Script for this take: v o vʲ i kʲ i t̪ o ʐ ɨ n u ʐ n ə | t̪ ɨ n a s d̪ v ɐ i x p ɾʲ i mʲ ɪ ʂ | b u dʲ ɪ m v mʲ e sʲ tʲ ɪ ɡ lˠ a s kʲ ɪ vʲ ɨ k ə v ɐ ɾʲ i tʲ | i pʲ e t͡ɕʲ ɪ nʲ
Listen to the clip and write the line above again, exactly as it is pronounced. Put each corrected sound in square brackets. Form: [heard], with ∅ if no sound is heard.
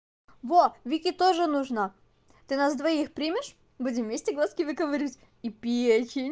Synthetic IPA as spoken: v o vʲ i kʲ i t̪ o ʐ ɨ n u ʐ n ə | t̪ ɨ n a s d̪ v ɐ i x p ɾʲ i mʲ ɪ ʂ | b u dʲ ɪ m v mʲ e sʲ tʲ ɪ ɡ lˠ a s kʲ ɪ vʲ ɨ k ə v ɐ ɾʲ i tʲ | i pʲ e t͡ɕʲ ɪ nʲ